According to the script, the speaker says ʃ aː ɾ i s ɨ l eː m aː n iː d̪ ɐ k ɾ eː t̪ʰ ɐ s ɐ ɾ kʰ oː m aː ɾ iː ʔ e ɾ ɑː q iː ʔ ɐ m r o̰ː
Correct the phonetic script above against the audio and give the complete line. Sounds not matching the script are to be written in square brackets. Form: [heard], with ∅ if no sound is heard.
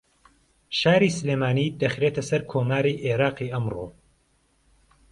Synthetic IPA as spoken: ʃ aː ɾ i s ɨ l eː m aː n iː d̪ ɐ [x] ɾ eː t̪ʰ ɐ s ɐ ɾ kʰ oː m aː ɾ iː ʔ e ɾ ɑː q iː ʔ ɐ m r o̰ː